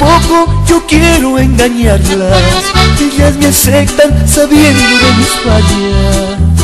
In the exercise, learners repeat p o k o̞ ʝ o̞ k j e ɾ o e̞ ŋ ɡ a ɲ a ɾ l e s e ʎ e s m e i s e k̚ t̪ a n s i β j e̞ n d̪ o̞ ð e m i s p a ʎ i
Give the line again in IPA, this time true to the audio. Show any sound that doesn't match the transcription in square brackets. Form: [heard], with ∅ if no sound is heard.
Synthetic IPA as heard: p o k o̞ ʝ o̞ k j e ɾ o e̞ ŋ ɡ a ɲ a ɾ l [a] s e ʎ [a] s m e [a] s e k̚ t̪ a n s [a] β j e̞ n d̪ o̞ ð e m i s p a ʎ [a]